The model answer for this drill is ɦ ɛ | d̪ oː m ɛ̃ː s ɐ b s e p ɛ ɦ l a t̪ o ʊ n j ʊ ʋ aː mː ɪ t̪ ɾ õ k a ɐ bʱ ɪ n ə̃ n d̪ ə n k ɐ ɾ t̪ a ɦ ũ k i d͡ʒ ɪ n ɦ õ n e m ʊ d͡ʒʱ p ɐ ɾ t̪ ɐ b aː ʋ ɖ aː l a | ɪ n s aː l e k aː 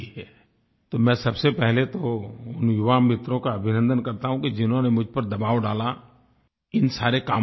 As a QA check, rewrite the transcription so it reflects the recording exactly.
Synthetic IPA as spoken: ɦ ɛ | t̪ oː m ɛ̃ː s ɐ b s e p ɛ ɦ l e t̪ o ʊ n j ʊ ʋ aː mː ɪ t̪ ɾ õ k a ɐ bʱ ɪ n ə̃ n d̪ ə n k ɐ ɾ t̪ a ɦ ũ k i d͡ʒ ɪ n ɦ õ n e m ʊ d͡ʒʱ p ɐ ɾ d̪ ɐ b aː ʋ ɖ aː l a | ɪ n s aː ɾ e k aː